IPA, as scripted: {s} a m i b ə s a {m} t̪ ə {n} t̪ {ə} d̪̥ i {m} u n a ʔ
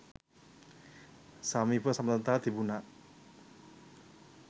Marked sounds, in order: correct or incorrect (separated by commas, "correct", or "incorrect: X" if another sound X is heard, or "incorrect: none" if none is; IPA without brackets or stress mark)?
correct, correct, correct, incorrect: a, incorrect: b